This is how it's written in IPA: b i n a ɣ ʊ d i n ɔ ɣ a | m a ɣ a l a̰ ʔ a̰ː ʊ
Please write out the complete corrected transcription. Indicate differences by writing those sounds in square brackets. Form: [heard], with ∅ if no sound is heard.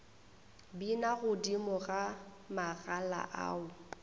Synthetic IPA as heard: b i n a ɣ ʊ d i [m] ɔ ɣ a | m a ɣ a l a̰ ʔ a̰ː ʊ